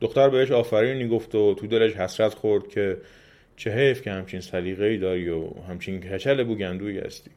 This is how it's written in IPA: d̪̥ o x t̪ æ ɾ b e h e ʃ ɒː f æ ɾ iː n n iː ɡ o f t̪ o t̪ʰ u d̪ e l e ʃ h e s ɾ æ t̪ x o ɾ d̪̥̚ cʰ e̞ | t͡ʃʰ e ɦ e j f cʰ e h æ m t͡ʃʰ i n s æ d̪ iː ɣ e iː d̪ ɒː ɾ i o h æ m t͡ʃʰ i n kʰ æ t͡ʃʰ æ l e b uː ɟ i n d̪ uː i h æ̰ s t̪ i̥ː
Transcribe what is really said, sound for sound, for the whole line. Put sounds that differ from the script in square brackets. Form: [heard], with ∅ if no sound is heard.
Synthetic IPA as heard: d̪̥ o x t̪ æ ɾ b e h e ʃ ɒː f æ ɾ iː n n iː ɡ o f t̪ o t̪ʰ u d̪ e l e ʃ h [æ] s ɾ æ t̪ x o ɾ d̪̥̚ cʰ e̞ | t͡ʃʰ e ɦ e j f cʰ e h æ m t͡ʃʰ i n s æ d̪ iː ɣ e iː d̪ ɒː ɾ i o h æ m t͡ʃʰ i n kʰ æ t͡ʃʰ æ l e b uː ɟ [æ] n d̪ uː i h æ̰ s t̪ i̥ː